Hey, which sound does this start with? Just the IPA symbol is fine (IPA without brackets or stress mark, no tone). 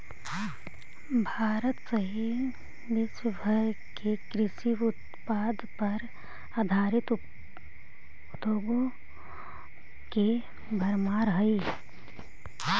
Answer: bʱ